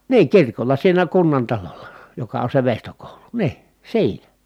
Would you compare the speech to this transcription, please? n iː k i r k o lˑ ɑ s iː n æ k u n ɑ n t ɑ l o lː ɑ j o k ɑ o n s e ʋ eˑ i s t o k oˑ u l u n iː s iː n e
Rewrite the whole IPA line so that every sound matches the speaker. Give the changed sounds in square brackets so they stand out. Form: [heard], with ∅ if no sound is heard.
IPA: n iː k i r k o lˑ ɑ s iː n æ k u [nː] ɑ n t ɑ l o lː ɑ j o k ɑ o n s e ʋ eˑ i s t o k oˑ u l u n iː s iː n [æ]